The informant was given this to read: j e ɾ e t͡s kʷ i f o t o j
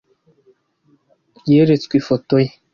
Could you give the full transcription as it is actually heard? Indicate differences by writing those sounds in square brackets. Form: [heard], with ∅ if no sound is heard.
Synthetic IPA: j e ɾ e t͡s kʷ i f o t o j